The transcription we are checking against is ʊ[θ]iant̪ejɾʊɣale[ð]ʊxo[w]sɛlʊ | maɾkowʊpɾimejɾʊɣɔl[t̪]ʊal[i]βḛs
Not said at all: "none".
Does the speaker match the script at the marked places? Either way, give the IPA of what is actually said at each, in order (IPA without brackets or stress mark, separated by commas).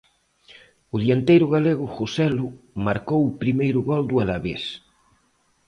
ð, ɣ, none, d̪, a